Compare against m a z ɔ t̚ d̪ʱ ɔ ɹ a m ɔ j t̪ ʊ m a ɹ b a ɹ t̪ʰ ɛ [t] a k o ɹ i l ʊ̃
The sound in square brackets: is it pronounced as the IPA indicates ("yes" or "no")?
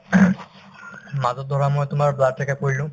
no